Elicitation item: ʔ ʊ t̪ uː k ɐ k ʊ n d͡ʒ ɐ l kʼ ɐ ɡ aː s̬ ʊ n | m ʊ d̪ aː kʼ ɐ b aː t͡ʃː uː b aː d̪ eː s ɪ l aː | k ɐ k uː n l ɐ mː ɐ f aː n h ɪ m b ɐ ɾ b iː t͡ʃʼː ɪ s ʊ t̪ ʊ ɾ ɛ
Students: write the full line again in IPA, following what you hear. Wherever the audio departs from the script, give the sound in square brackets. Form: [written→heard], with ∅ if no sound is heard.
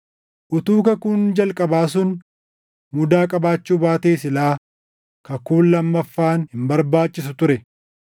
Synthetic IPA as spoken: ʔ ʊ t̪ uː k ɐ k ʊ n d͡ʒ ɐ l kʼ ɐ [ɡ→b] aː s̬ ʊ n | m ʊ d̪ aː kʼ ɐ b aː t͡ʃː uː b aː [d̪→t̪] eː s ɪ l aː | k ɐ k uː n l ɐ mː ɐ [f→fː] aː n h ɪ m b ɐ ɾ b [iː→aː] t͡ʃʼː ɪ s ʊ t̪ ʊ ɾ ɛ